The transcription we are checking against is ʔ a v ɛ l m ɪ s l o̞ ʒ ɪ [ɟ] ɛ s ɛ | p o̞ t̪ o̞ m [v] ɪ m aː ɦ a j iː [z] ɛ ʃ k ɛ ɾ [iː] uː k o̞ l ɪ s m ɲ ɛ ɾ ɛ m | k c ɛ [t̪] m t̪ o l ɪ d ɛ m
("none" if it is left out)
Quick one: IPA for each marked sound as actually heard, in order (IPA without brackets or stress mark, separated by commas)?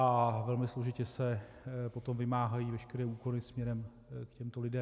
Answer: c, v, v, ɛː, none